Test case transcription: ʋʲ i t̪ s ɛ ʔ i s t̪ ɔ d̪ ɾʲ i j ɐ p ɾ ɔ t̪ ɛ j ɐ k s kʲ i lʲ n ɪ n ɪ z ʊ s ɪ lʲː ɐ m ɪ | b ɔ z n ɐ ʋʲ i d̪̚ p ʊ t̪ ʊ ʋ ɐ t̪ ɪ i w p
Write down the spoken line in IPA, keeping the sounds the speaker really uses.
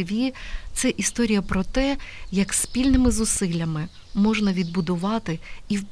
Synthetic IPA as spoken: ʋʲ i t̪ s ɛ ʔ i s t̪ ɔ ɾʲ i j ɐ p ɾ ɔ t̪ ɛ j ɐ k s pʲ i lʲ n ɪ m ɪ z ʊ s ɪ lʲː ɐ m ɪ | m ɔ ʒ n ɐ ʋʲ i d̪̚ b ʊ d̪ ʊ ʋ ɑ t̪ ɪ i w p